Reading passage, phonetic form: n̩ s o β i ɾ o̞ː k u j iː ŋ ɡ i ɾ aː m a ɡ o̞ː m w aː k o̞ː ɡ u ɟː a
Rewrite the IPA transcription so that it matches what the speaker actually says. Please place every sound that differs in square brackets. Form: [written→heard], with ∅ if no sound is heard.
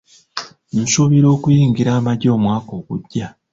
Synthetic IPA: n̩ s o β i ɾ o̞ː k u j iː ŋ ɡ i ɾ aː m a [ɡ→ɟ] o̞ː m w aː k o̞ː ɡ u ɟː a